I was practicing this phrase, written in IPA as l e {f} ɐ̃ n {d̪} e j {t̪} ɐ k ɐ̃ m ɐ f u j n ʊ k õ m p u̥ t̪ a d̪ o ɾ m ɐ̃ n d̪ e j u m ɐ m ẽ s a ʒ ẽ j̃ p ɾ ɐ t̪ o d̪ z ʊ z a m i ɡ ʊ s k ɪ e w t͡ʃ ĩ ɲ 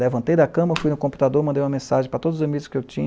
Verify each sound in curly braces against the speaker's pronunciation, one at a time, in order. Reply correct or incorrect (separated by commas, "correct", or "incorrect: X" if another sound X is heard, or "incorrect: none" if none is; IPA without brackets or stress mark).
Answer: incorrect: v, incorrect: t̪, incorrect: d̪